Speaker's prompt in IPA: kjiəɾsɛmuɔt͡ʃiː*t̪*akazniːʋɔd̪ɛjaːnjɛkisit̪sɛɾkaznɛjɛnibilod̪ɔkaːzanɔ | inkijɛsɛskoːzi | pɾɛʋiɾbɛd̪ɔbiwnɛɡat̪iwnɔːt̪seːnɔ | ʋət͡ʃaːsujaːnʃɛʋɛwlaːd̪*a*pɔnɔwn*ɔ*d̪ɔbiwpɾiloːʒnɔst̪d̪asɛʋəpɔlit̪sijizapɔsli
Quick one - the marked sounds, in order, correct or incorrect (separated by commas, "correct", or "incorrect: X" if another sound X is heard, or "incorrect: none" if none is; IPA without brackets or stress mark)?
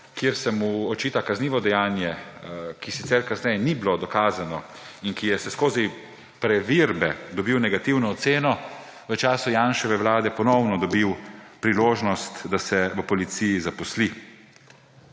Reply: correct, incorrect: ɛ, correct